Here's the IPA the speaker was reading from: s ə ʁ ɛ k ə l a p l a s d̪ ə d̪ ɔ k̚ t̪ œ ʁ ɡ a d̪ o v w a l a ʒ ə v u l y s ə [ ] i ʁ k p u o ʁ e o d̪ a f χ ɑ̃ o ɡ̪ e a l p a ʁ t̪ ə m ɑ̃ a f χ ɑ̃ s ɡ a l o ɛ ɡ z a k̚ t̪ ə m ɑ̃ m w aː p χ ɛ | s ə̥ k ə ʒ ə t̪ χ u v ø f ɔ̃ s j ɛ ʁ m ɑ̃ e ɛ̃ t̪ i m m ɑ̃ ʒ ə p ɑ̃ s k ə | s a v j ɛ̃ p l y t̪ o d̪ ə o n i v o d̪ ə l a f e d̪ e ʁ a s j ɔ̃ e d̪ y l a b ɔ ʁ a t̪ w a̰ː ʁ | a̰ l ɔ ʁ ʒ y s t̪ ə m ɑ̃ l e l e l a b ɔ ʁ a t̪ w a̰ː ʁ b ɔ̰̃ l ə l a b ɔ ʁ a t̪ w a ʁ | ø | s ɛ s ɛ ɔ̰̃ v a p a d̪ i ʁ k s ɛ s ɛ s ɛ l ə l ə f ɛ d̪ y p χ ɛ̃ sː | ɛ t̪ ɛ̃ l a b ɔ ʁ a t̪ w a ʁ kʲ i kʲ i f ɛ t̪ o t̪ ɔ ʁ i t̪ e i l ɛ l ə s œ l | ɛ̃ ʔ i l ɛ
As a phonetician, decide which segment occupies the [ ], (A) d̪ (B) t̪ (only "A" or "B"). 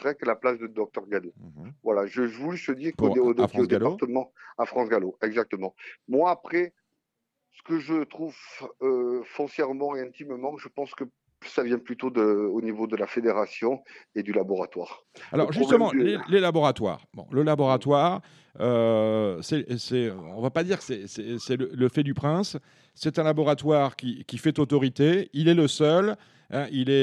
A